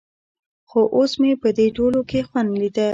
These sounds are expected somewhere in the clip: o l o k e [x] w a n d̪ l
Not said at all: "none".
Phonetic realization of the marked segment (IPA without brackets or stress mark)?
x